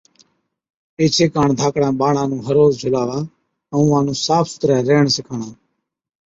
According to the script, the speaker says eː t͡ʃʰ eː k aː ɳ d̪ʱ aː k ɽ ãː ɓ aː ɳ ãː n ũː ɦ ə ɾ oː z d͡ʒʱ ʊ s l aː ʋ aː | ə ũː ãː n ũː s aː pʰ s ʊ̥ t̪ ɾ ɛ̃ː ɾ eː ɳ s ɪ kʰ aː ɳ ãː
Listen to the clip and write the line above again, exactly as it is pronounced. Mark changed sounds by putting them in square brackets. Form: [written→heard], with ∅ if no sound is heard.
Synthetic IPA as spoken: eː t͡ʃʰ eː k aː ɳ d̪ʱ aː k ɽ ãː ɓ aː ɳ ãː n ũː ɦ ə ɾ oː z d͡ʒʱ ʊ [s→∅] l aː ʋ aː | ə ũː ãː n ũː s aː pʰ s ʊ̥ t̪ ɾ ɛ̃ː ɾ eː ɳ s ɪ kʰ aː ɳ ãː